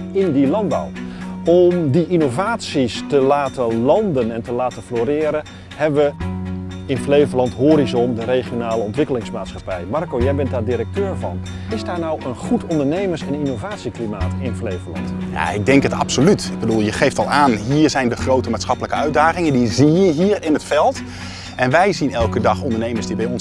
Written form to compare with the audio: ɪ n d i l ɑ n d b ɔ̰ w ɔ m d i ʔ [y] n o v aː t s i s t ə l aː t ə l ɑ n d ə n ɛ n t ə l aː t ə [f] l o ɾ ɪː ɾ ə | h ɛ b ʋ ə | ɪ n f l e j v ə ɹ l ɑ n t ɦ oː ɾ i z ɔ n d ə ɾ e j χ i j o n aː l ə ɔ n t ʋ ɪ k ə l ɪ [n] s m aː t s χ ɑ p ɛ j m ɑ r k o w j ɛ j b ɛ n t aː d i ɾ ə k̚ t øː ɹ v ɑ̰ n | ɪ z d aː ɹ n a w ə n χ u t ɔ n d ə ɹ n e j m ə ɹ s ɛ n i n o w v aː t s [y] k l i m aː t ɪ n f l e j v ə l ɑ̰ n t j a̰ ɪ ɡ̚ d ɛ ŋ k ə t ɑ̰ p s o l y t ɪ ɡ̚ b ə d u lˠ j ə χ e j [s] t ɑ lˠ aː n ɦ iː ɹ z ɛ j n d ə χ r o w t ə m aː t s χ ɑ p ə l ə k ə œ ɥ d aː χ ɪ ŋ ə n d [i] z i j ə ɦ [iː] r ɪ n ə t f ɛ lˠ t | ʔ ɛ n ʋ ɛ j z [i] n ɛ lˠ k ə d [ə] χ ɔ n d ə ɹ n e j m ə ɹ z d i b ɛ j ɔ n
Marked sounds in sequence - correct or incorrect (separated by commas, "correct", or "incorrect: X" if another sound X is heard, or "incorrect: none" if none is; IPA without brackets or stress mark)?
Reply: incorrect: i, correct, incorrect: ŋ, incorrect: i, incorrect: f, correct, correct, correct, incorrect: ɑ